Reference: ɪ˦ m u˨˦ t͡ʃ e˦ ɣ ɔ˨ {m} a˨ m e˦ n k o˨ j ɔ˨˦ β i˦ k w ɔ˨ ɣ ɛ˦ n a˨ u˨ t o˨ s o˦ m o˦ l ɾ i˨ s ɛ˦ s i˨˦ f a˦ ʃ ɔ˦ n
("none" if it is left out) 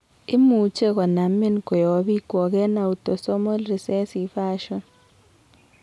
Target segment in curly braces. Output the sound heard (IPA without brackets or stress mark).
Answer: n